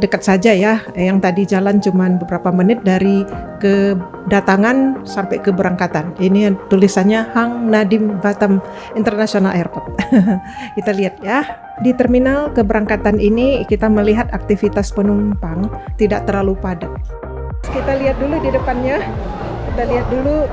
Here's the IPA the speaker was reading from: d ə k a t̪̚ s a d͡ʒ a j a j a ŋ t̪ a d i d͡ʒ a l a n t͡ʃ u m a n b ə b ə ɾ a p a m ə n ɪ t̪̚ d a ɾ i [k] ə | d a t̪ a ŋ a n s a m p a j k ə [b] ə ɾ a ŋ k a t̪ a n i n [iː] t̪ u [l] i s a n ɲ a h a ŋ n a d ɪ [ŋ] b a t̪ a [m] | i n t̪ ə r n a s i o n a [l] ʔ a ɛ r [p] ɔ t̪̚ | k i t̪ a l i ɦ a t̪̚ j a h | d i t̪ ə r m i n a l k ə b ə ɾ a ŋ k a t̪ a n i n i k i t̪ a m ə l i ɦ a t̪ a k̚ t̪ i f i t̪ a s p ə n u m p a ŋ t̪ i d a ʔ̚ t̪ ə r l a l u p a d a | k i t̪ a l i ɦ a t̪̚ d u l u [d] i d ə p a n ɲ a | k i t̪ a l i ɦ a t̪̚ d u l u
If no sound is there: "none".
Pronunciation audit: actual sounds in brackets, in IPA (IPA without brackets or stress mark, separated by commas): k, b, i, l, m, m, l, p, d